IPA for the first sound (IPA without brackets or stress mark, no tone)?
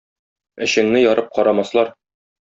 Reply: ɘ̆